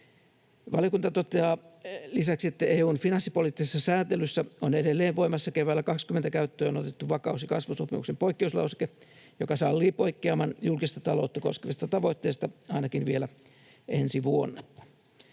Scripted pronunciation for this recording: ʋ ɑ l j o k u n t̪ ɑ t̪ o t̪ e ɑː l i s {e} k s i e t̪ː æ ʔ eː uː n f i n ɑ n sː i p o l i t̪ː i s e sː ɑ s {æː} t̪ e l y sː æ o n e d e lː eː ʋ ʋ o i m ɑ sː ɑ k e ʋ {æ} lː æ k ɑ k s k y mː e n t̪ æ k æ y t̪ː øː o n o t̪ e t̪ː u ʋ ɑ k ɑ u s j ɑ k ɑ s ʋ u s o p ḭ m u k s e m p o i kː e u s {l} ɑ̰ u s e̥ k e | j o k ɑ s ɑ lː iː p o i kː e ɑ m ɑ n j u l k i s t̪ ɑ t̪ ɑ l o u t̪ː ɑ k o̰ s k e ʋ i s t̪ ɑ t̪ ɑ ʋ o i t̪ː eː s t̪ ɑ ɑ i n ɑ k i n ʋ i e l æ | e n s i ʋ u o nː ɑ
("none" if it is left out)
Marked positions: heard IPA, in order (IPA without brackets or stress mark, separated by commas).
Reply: æ, æː, æː, l